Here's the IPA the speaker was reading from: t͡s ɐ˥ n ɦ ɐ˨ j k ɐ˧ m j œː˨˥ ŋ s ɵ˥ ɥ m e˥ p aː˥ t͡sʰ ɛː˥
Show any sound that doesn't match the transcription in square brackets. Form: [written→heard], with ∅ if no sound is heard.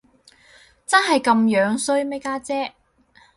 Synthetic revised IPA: t͡s ɐ˥ n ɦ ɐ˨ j k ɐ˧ m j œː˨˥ ŋ s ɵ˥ ɥ m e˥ [p→k] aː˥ [t͡sʰ→t͡s] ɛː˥